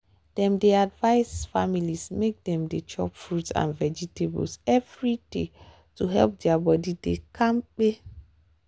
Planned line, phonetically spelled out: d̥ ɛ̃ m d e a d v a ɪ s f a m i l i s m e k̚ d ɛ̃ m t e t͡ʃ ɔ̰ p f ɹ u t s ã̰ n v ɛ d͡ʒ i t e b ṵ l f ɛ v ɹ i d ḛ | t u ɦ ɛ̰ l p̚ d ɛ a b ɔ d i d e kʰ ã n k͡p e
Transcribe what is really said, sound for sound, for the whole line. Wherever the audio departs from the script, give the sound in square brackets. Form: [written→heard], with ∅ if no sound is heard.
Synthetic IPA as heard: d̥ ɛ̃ m d e a d v a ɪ s f a m i l i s m e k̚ d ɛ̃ m [t→d] e t͡ʃ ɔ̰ p f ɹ u t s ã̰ n v ɛ d͡ʒ i t e b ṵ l [f→s] ɛ v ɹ i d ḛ | t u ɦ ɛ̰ l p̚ d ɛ a b ɔ d i d e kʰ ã [n→m] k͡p e

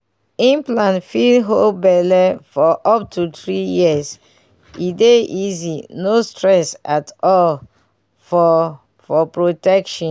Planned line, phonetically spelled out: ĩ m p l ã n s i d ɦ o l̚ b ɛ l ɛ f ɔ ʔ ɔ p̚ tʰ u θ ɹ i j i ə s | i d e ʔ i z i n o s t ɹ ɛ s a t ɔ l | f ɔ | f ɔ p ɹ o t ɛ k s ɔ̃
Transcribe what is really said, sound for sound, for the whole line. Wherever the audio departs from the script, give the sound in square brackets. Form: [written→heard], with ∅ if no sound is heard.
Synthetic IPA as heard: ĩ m p l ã n [s→f] i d ɦ o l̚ b ɛ l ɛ f ɔ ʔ ɔ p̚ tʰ u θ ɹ i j i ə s | i d e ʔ i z i n o s t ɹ ɛ s a t ɔ l | f ɔ | f ɔ p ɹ o t ɛ k [s→ʃ] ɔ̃

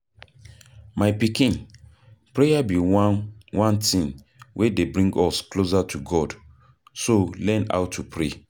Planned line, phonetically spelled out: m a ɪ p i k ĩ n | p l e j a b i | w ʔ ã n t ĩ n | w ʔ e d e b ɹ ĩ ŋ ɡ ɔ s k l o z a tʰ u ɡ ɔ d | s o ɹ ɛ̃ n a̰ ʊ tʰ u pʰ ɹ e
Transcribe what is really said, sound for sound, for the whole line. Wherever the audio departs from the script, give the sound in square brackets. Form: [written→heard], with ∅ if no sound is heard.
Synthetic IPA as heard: m a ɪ p i k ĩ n | p [l→ɹ] e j a b i | w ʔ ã n t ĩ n | w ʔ e d e b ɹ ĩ ŋ ɡ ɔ s k l o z a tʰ u ɡ ɔ d | s o [ɹ→l] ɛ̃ n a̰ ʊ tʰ u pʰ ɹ e

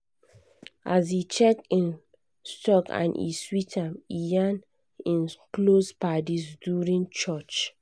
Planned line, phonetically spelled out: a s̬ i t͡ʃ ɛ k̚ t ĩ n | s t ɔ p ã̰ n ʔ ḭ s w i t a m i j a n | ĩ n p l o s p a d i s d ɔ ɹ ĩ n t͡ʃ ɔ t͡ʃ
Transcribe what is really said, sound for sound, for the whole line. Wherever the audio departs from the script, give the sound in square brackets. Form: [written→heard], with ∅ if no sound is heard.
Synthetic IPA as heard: a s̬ i t͡ʃ ɛ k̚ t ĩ n | s t ɔ [p→k] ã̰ n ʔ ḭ s w i t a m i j a n | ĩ n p l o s p a d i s d [ɔ→u] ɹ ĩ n t͡ʃ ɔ t͡ʃ

